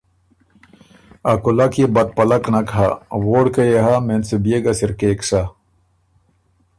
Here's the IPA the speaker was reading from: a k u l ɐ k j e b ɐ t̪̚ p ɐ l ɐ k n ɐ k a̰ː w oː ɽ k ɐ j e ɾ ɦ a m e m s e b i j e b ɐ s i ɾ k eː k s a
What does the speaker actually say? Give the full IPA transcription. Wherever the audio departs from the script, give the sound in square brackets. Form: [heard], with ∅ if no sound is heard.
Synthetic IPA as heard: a k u l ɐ k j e b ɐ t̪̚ p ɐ l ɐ k n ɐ k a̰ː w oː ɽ k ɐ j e [∅] ɦ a m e [n] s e b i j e [ɡ] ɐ s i ɾ k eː k s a